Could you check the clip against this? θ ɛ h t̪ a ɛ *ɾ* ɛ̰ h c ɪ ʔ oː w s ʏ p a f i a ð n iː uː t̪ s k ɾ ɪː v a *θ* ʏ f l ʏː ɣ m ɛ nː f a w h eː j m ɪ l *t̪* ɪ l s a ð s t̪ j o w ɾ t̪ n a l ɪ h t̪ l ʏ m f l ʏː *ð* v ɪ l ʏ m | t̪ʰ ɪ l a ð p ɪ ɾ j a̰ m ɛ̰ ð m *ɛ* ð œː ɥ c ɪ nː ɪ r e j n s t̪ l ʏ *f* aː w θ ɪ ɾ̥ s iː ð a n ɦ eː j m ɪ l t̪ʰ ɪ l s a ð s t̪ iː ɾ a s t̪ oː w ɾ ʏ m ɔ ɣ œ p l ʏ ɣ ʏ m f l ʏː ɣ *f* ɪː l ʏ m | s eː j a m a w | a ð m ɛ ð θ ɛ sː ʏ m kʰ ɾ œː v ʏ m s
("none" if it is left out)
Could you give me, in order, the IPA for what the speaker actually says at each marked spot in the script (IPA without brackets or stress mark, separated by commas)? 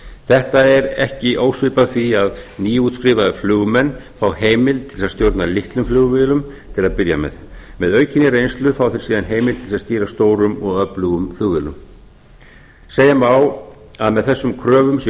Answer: ɾ, ð, t̪ʰ, ɣ, ɛ, f, v